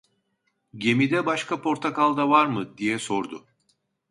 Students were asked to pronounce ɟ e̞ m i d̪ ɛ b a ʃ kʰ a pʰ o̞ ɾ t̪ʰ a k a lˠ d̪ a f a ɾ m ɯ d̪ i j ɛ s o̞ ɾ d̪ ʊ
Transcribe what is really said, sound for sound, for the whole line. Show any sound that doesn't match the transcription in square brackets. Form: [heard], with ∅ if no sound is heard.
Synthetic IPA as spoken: ɟ e̞ m i d̪ ɛ b a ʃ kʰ a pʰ o̞ ɾ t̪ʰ a k a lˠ d̪ a [v] a ɾ m ɯ d̪ i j ɛ s o̞ ɾ d̪ ʊ